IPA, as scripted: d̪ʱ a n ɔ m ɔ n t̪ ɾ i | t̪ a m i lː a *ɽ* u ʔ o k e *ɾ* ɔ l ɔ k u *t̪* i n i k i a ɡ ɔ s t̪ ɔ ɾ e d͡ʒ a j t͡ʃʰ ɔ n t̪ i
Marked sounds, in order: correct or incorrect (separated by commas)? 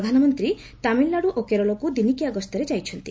correct, correct, incorrect